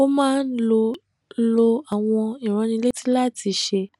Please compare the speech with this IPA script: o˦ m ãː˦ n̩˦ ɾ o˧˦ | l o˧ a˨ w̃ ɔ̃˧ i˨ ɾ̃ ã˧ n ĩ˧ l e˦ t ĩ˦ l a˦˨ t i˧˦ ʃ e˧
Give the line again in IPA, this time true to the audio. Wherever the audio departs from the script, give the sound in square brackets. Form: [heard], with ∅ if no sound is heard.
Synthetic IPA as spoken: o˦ m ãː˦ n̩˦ [l] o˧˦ | l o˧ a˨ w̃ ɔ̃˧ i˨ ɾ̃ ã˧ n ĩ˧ l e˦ t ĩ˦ l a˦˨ t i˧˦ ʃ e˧